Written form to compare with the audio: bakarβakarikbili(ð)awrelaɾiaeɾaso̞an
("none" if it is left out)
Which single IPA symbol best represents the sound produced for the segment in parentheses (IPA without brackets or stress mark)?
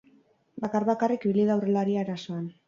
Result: ð